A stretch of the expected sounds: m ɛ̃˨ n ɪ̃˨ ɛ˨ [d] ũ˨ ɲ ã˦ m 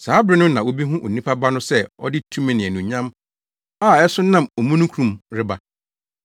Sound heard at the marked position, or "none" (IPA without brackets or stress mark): n